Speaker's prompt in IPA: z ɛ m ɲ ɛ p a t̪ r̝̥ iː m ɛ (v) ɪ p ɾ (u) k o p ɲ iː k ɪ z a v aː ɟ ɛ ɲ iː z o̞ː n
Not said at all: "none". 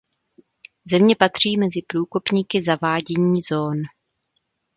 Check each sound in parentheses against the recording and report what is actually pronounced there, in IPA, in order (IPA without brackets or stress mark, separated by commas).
z, uː